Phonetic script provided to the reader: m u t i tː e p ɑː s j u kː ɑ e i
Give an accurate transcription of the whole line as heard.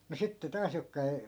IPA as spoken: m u s i tː e t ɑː s j o kː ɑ e i